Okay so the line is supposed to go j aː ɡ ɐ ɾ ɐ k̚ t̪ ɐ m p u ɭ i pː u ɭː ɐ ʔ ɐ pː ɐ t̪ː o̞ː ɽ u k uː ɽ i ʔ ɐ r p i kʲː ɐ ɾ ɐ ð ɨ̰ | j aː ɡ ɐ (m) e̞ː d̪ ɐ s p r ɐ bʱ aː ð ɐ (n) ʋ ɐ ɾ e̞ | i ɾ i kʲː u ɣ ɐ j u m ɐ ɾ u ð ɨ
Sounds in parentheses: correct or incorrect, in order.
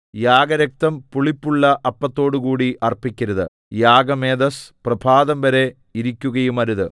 correct, incorrect: m

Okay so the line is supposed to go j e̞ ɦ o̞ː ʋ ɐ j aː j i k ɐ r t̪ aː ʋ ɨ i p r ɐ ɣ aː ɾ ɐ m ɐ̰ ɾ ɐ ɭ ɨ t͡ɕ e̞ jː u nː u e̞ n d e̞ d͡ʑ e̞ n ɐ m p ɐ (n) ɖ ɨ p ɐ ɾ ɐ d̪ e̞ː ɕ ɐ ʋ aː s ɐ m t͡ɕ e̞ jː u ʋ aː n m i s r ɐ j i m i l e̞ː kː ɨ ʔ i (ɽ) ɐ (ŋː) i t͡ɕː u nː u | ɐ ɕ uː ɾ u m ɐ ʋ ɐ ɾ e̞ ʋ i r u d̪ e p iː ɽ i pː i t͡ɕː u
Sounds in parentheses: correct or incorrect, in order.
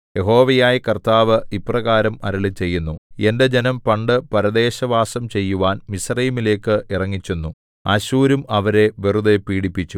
incorrect: ɳ, incorrect: r, correct

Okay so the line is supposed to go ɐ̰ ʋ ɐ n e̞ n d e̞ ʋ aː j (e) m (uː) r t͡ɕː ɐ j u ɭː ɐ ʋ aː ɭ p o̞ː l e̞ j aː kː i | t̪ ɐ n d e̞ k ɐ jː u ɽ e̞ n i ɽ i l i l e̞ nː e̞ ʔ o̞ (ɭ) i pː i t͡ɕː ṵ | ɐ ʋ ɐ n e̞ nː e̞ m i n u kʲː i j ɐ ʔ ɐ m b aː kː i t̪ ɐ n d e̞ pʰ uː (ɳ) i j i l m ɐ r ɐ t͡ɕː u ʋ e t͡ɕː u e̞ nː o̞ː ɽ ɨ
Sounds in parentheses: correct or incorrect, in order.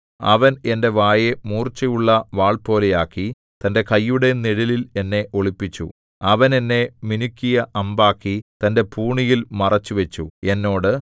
correct, correct, correct, correct

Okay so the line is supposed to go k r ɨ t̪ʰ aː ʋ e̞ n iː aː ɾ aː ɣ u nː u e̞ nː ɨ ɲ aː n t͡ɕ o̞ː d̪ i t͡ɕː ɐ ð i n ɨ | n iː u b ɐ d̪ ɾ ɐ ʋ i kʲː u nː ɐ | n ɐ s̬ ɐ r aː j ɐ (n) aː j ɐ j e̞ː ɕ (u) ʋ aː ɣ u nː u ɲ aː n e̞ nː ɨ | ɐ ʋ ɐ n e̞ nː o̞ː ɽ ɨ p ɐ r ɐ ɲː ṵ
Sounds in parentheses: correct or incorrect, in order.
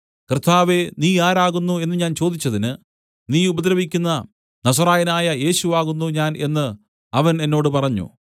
correct, correct

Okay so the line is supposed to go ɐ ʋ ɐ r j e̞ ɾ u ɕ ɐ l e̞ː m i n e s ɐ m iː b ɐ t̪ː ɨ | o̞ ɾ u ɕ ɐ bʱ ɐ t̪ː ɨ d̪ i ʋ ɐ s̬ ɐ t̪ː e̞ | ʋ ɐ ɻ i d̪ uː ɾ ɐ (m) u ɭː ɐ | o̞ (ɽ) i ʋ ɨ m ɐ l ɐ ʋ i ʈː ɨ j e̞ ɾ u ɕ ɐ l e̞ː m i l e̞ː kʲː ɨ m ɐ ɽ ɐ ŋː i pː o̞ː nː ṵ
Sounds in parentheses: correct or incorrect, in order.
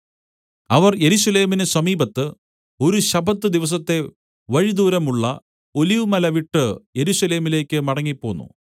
correct, incorrect: l

